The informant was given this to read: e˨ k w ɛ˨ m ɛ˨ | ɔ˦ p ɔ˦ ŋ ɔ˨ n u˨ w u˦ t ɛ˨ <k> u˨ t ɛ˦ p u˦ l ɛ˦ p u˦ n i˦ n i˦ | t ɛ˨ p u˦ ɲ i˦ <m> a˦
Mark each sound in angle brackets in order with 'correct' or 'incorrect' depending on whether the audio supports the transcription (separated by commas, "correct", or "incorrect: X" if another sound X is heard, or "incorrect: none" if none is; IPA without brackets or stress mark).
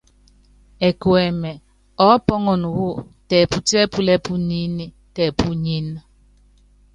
incorrect: p, incorrect: n